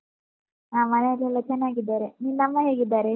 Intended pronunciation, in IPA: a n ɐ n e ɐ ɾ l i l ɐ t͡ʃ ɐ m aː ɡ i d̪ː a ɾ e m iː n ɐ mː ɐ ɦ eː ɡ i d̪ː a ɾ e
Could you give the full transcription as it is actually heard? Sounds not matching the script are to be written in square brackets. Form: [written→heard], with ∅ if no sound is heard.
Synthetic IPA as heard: a [n→m] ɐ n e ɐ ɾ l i l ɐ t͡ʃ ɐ [m→n] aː ɡ i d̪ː a ɾ e [m→n] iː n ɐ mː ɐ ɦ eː ɡ i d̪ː a ɾ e